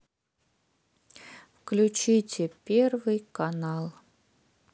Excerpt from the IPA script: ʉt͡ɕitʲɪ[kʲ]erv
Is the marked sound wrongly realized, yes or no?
yes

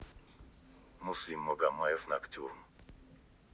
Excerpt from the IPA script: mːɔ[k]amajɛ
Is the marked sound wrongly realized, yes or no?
yes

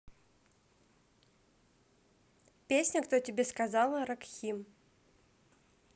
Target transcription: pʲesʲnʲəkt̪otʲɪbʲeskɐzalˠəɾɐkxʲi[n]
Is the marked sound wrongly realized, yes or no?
yes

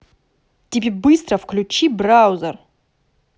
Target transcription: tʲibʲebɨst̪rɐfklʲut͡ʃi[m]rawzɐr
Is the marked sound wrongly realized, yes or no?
yes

